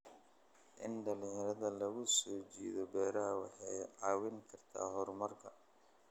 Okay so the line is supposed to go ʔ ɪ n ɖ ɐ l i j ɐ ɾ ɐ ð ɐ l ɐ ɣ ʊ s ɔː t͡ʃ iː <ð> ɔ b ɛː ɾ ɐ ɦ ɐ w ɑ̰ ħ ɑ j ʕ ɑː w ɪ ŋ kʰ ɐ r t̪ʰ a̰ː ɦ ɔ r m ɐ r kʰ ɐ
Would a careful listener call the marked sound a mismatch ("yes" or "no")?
no